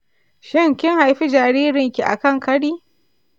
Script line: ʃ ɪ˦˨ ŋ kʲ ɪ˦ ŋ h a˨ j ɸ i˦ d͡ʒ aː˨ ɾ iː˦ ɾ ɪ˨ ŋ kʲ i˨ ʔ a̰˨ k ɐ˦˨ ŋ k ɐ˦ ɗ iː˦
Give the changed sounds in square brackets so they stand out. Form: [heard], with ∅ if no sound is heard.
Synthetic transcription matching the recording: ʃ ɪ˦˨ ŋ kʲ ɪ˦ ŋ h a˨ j ɸ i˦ d͡ʒ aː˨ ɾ iː˦ ɾ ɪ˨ ŋ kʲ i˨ ʔ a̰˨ k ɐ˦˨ ŋ k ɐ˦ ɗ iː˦